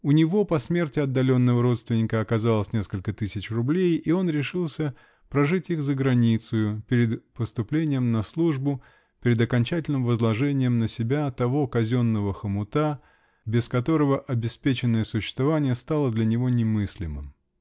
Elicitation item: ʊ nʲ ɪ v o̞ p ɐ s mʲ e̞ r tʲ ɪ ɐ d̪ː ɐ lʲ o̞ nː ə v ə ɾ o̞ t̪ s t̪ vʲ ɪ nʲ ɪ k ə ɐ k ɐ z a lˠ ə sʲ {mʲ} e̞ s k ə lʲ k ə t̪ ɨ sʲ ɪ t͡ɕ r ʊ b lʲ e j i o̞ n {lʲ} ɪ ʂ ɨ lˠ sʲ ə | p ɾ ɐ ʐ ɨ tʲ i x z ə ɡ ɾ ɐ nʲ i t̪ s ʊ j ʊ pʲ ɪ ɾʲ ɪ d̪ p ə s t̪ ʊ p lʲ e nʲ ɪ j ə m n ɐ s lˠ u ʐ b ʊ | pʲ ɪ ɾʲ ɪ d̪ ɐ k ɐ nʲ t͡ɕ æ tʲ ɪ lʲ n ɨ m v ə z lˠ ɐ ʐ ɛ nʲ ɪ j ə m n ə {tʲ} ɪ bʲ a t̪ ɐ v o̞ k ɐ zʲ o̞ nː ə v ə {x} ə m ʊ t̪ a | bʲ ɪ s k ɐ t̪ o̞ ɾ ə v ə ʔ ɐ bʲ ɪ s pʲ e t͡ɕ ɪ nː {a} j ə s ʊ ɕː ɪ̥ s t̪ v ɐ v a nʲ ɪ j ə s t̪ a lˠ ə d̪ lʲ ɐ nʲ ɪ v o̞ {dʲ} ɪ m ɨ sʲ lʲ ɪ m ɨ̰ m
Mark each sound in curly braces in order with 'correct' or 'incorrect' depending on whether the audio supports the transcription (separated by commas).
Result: incorrect, incorrect, incorrect, correct, incorrect, incorrect